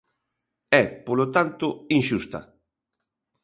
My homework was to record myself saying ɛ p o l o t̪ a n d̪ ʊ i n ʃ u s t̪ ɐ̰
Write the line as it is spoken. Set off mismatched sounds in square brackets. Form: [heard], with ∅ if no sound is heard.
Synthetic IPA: ɛ p o l o t̪ a n [t̪] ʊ i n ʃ u s t̪ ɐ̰